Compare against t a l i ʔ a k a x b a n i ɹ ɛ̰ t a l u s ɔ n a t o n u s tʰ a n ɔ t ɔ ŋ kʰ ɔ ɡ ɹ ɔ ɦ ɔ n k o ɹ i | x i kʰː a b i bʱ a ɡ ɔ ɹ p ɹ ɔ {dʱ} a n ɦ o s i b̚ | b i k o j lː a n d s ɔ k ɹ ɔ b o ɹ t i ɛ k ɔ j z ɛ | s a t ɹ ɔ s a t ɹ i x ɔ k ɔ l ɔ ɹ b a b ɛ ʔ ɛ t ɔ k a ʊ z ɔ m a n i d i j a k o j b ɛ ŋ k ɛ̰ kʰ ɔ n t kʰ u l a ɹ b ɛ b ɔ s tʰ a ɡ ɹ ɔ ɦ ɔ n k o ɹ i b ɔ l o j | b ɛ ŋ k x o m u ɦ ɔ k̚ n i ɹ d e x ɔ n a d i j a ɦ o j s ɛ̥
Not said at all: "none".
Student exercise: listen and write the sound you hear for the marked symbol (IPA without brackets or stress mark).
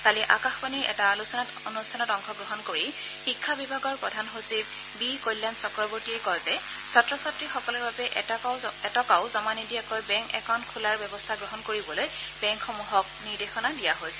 dʱ